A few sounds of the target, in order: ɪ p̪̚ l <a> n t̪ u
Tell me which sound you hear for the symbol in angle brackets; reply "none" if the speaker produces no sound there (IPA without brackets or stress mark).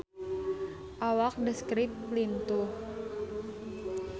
i